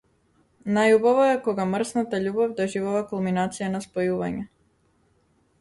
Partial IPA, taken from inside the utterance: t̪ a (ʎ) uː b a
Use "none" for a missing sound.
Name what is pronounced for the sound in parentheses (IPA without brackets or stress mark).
ʎ